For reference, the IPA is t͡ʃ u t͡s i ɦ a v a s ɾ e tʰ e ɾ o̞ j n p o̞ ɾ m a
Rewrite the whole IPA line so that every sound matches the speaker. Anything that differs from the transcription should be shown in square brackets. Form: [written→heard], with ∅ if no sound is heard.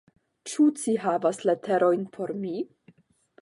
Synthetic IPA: t͡ʃ u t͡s i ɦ a v a s [ɾ→l] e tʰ e ɾ o̞ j n [p→pʰ] o̞ ɾ m [a→i]